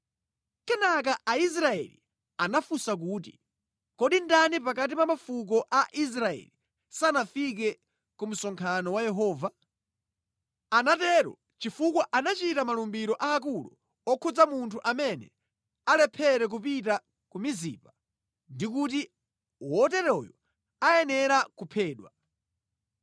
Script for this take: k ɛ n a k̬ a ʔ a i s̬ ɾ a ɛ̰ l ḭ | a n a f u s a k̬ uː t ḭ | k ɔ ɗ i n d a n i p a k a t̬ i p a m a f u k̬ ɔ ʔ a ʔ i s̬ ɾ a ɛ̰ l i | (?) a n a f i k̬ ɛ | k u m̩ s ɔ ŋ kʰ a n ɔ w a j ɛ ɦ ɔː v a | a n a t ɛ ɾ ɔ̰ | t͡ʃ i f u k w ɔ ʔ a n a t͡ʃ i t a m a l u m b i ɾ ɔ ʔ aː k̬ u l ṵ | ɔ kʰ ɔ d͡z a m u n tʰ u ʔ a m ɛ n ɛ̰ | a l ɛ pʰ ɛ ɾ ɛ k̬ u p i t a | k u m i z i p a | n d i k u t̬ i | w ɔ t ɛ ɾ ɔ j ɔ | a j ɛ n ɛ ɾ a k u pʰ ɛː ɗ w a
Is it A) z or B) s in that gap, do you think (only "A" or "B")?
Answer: B